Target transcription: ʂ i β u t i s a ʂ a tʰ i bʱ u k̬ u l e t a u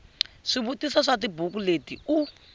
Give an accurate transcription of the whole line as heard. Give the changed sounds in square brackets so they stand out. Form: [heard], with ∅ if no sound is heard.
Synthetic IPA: ʂ i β u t i s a ʂ a [t] i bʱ u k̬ u l e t [i] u